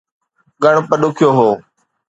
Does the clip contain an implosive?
yes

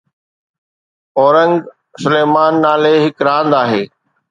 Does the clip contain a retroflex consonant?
no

